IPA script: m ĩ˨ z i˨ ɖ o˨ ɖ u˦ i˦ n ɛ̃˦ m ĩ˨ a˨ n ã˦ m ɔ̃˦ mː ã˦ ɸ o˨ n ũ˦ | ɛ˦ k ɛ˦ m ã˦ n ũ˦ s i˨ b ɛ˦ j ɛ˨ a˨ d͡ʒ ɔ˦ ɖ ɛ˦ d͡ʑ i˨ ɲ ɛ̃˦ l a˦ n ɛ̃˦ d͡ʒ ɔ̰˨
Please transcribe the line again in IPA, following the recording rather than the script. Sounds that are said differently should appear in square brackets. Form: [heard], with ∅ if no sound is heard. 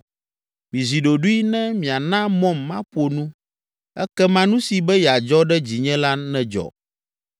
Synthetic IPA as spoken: m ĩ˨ z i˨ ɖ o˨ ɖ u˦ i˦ n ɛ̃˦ m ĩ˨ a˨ n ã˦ m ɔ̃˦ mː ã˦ ɸ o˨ n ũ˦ | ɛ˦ k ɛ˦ m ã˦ n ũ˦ s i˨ b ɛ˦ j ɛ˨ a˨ d͡ʒ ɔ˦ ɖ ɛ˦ d͡ʑ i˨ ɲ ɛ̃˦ l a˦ n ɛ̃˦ d͡ʒ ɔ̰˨